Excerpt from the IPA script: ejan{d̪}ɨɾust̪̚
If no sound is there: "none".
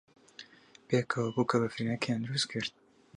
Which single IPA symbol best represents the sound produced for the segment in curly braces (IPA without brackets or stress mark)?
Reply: d̪